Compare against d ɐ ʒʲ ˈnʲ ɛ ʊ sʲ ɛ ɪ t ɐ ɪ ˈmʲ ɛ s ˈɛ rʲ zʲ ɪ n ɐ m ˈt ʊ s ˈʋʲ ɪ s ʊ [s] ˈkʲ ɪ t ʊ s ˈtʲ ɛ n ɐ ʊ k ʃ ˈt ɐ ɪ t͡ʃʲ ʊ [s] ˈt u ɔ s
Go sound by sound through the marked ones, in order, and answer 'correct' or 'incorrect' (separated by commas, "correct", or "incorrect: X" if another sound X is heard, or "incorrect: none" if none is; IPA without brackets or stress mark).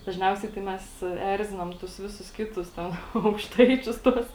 correct, correct